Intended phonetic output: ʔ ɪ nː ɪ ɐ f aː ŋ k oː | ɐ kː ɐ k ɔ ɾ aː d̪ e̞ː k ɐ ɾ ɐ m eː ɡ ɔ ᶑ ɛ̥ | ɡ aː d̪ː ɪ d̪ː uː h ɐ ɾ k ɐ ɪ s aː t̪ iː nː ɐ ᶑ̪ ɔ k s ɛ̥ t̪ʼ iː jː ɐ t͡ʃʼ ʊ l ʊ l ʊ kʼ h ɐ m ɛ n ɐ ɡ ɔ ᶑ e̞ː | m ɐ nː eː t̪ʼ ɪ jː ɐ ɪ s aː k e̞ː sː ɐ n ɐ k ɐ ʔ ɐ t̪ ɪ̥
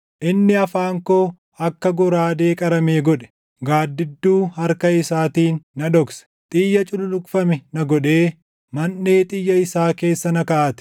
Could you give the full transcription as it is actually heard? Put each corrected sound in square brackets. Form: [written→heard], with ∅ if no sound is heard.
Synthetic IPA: ʔ ɪ nː ɪ ɐ f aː ŋ k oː | ɐ kː ɐ [k→ɡ] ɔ ɾ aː d̪ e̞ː [k→kʼ] ɐ ɾ ɐ m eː ɡ ɔ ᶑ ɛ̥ | ɡ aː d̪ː ɪ d̪ː uː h ɐ ɾ k ɐ ɪ s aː t̪ iː nː ɐ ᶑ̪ ɔ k s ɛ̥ t̪ʼ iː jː ɐ t͡ʃʼ ʊ l ʊ l ʊ kʼ [h→f] ɐ m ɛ n ɐ ɡ ɔ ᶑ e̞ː | m ɐ nː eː t̪ʼ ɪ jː ɐ ɪ s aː k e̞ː sː ɐ n ɐ k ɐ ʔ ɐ t̪ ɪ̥